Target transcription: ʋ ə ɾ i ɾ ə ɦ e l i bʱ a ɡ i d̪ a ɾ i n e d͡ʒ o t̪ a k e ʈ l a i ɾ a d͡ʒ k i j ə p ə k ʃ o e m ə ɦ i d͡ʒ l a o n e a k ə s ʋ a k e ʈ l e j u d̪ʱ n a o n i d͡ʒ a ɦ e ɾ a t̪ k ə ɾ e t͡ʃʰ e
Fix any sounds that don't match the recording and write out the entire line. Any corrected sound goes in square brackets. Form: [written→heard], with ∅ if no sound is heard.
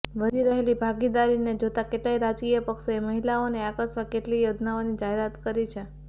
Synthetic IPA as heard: ʋ ə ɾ i ɾ ə ɦ e l i bʱ a ɡ i d̪ a ɾ i n e d͡ʒ o t̪ a k e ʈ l a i ɾ a d͡ʒ k i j ə p ə k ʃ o e m ə ɦ i [d͡ʒ→∅] l a o n e a k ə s ʋ a k e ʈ l [e→i] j [u→o] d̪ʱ n a o n i d͡ʒ a ɦ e ɾ a t̪ k ə ɾ [e→i] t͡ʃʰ e